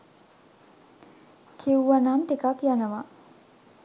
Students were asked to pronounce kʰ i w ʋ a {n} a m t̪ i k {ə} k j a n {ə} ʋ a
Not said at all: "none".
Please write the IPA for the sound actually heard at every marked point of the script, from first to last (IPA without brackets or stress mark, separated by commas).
n, a, ə